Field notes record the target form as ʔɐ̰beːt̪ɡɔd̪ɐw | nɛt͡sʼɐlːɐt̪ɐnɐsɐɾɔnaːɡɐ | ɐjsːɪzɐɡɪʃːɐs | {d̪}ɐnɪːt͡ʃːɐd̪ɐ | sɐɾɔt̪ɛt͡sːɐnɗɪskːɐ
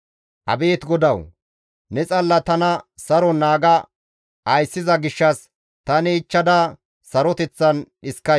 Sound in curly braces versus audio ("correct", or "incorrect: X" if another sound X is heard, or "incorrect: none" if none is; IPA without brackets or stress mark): incorrect: t̪